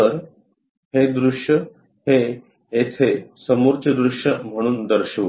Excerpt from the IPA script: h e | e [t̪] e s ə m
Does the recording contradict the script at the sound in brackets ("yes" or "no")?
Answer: yes